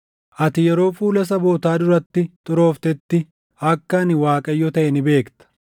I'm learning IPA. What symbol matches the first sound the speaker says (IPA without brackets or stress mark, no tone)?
ʔ